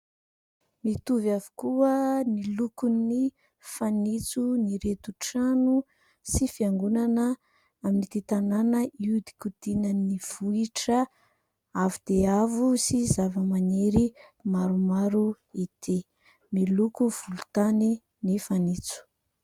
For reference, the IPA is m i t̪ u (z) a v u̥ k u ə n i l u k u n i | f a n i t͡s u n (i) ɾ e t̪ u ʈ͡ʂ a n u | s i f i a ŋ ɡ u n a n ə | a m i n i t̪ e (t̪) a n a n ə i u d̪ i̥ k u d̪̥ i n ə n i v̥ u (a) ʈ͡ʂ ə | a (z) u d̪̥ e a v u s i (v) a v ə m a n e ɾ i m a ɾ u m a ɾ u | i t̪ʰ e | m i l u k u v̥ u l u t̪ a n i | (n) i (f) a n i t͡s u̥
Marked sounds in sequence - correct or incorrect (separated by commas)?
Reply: incorrect, correct, correct, incorrect, incorrect, incorrect, correct, correct